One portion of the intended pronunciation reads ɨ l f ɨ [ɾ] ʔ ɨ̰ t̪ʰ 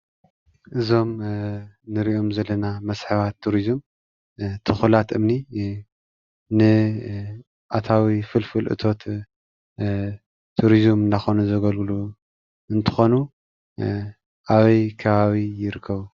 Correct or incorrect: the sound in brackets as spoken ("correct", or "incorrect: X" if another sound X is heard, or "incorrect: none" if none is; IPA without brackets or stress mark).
incorrect: l